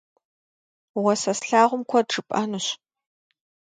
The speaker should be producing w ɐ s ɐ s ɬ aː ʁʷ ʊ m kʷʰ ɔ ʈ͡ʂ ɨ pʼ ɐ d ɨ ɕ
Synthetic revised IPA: w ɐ s ɐ s ɬ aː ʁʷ ʊ m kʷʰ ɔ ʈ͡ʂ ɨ pʼ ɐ n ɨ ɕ